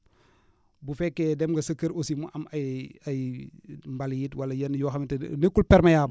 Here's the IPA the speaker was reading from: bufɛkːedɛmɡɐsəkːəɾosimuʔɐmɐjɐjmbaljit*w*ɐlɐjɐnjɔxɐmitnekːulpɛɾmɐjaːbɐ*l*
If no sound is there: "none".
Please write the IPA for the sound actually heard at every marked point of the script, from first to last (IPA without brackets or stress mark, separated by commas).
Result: w, none